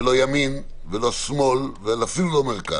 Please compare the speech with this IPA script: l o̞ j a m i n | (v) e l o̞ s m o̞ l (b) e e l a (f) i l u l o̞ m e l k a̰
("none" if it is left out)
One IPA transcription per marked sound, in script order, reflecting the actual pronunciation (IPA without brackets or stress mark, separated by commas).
v, v, f